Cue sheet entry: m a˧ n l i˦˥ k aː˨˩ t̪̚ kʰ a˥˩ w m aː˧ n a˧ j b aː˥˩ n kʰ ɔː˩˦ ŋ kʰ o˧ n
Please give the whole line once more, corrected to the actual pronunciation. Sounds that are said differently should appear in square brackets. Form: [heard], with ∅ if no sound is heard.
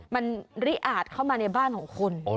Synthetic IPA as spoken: m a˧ n [ɾ] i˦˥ [ʔ] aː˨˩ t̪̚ kʰ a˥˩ w m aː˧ n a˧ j b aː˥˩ n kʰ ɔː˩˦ ŋ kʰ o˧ n